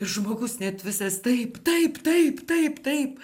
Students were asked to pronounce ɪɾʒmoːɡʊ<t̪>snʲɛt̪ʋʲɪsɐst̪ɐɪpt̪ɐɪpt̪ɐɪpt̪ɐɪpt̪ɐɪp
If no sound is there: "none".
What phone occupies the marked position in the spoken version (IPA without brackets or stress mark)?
none